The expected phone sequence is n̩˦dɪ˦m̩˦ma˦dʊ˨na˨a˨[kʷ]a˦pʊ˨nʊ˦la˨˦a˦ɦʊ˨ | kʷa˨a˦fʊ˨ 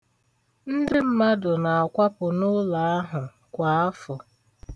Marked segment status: correct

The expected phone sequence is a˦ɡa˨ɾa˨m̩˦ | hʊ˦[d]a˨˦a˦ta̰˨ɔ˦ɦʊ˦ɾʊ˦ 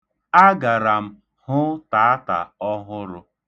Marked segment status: incorrect: t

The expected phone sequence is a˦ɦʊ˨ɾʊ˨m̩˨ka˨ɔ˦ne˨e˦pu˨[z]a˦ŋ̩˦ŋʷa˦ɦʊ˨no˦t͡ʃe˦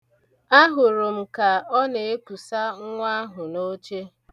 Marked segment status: incorrect: s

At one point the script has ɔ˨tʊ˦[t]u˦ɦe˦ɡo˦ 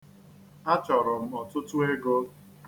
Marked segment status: correct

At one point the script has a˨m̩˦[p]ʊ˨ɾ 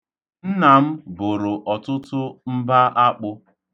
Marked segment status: incorrect: b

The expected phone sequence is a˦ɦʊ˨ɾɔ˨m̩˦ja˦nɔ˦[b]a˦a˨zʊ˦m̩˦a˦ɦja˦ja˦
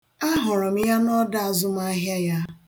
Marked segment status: incorrect: d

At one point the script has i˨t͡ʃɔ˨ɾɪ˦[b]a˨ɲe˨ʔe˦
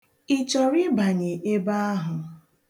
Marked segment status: correct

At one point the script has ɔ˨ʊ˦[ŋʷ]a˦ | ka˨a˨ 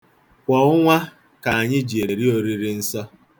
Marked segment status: correct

